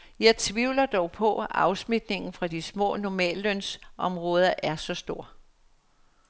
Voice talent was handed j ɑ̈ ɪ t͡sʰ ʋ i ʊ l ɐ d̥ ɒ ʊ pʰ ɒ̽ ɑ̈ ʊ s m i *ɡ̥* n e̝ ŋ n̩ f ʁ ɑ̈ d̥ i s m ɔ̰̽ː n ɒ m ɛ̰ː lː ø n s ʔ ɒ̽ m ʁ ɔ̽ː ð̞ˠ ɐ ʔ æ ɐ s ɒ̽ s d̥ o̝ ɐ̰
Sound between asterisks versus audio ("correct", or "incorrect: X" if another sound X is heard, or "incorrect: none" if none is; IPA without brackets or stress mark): incorrect: d̥